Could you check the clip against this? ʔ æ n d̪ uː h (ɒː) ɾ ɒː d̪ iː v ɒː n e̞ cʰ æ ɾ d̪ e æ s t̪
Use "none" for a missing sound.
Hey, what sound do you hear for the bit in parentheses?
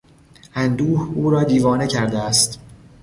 uː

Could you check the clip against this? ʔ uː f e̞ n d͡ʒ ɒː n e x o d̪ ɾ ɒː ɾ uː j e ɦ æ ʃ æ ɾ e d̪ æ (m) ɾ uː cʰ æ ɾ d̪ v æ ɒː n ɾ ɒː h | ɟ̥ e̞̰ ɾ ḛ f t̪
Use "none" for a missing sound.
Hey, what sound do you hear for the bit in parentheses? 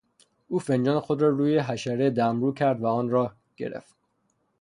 m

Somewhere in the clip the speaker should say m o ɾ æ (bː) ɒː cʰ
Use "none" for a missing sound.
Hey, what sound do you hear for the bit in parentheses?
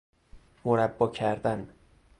bː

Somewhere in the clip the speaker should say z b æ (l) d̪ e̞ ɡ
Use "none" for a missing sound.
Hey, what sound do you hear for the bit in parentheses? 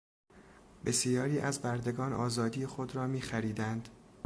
ɾ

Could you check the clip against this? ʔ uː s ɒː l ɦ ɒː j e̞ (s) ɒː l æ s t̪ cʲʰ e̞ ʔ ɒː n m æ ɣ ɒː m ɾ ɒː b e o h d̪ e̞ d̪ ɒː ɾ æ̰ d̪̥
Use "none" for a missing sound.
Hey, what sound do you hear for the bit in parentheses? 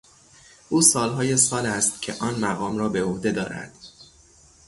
s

